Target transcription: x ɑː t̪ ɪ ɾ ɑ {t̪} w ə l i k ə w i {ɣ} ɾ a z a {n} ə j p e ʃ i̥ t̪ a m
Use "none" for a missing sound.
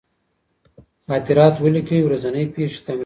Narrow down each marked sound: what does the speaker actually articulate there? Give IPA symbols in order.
t̪, w, n

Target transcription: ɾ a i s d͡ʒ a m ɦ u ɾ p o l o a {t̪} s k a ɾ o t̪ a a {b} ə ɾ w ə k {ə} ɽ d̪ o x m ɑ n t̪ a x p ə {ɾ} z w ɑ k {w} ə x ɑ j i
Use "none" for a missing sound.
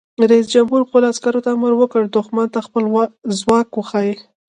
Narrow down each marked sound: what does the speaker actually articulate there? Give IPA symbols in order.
none, m, ə, l, w

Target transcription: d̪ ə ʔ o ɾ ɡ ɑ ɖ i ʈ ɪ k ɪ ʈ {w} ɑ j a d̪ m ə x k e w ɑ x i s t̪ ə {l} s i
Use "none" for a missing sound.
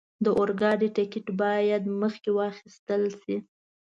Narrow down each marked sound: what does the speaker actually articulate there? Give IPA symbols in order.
b, l

